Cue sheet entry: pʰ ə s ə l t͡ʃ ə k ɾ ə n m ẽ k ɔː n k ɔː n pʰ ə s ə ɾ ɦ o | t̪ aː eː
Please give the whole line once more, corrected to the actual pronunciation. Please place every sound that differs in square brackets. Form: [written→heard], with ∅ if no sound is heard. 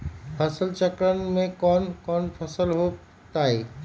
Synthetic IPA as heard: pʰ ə s ə l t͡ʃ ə k ɾ ə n m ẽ k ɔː n k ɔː n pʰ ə s ə [ɾ→l] ɦ o | t̪ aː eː